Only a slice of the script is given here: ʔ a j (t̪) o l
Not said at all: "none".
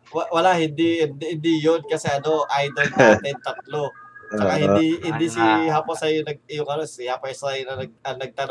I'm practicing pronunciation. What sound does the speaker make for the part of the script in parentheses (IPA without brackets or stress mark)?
d̪